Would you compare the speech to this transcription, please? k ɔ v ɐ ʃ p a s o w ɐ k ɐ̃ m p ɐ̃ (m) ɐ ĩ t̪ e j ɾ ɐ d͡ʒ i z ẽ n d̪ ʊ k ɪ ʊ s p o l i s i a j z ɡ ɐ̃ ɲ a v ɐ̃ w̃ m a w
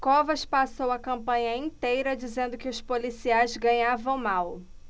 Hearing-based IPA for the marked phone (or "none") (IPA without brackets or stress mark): ɲ